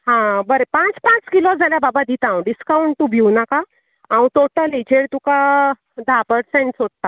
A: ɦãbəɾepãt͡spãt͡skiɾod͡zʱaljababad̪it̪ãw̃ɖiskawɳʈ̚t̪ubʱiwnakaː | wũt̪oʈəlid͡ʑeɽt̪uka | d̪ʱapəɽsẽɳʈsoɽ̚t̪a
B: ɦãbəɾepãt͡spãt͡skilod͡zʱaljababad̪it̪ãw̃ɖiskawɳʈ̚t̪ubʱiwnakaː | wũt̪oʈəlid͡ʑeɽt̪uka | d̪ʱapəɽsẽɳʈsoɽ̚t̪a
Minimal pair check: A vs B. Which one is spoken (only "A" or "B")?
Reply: B